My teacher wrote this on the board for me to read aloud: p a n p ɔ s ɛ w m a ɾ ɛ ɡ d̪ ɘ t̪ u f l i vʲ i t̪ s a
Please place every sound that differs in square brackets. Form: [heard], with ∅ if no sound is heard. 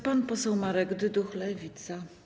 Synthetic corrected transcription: p a n p ɔ s ɛ w m a ɾ ɛ ɡ d̪ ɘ [d̪] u [x] l [ɛ] vʲ i t̪ s a

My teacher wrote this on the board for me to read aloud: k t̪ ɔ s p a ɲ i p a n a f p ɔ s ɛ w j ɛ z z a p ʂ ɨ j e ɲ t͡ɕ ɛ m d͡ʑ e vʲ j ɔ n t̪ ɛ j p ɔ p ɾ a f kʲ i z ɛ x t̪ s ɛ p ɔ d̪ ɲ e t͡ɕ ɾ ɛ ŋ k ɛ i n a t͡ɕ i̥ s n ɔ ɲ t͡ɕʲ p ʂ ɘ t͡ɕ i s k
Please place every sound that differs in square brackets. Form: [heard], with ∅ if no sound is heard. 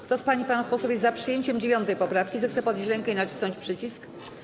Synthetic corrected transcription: k t̪ ɔ s p a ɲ i p a n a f p ɔ s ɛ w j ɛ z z a p ʂ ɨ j e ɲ t͡ɕ ɛ m d͡ʑ e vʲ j ɔ n t̪ ɛ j p ɔ p ɾ a f kʲ i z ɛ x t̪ s ɛ p ɔ d̪ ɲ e t͡ɕ ɾ ɛ ŋ k ɛ i n a t͡ɕ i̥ s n ɔ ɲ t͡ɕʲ p ʂ ɘ t͡ɕ i s k

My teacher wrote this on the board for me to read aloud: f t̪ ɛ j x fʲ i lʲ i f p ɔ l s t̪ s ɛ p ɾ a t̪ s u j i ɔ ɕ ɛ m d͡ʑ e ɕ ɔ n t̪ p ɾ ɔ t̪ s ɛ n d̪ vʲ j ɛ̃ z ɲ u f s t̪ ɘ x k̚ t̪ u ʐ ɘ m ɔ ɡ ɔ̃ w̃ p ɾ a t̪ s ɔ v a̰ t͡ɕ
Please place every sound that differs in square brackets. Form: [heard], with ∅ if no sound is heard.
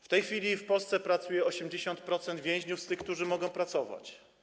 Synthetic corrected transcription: f t̪ ɛ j x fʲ i lʲ i f p ɔ l s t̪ s ɛ p ɾ a t̪ s u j [ɛ] ɔ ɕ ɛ m d͡ʑ e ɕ ɔ n t̪ p ɾ ɔ t̪ s ɛ n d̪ vʲ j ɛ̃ [ʑ] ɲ u f s t̪ ɘ x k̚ t̪ u ʐ ɘ m ɔ ɡ ɔ̃ w̃ p ɾ a t̪ s ɔ v a̰ t͡ɕ

